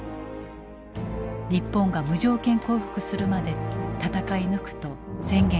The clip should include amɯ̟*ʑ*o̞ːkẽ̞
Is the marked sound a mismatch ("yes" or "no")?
no